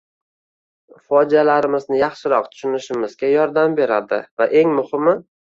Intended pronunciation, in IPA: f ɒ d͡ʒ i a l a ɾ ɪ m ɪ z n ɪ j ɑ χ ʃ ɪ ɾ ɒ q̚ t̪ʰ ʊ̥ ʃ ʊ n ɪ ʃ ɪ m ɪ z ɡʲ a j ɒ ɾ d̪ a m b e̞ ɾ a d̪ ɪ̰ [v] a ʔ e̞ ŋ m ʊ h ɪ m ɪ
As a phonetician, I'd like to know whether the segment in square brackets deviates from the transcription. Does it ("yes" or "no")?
no